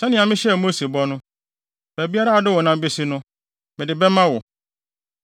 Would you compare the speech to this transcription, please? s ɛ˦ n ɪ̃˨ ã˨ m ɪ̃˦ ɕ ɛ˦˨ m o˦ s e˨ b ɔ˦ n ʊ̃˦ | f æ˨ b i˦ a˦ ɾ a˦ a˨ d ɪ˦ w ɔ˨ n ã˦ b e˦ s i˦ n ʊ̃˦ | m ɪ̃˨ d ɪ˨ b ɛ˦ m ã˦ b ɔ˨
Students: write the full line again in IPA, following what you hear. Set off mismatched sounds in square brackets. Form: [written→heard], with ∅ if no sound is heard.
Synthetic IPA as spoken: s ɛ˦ n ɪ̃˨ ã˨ m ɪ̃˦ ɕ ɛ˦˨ m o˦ s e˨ b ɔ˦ n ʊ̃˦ | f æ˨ b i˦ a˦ ɾ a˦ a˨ d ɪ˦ w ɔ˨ n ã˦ b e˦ s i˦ n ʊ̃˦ | m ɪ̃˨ d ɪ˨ b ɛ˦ m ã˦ [b→w] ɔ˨